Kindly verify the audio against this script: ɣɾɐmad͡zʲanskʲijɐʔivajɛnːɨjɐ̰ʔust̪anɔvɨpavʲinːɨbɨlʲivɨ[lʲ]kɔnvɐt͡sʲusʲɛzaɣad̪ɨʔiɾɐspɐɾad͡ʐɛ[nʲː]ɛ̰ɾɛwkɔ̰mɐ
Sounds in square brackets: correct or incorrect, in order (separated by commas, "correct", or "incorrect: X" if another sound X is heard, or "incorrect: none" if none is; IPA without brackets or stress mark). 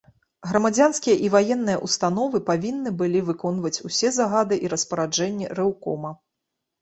incorrect: none, correct